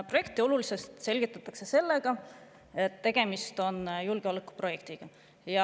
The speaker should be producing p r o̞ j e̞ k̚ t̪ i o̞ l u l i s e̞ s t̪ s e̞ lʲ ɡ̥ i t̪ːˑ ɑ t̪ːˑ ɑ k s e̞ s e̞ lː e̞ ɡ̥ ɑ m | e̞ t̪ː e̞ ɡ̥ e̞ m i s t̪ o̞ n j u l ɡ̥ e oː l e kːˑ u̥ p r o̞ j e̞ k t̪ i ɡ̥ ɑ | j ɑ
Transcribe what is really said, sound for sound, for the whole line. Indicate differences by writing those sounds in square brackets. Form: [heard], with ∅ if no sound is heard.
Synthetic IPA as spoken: p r o̞ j e̞ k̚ t̪ i o̞ l u l i s e̞ s t̪ s e̞ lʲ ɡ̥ i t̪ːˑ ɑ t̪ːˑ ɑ k s e̞ s e̞ lː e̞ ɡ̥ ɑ [∅] | e̞ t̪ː e̞ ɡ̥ e̞ m i s t̪ o̞ n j u l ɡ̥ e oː l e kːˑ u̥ p r o̞ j e̞ k t̪ i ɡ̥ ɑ | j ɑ